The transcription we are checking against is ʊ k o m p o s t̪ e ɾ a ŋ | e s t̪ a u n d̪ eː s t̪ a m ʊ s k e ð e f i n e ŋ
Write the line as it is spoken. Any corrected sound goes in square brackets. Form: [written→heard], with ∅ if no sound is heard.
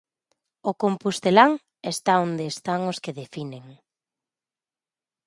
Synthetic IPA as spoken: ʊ k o m p [o→u] s t̪ e [ɾ→l] a ŋ | e s t̪ a [u→o] n d̪ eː s t̪ a [m→ŋ] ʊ s k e ð e f i n e ŋ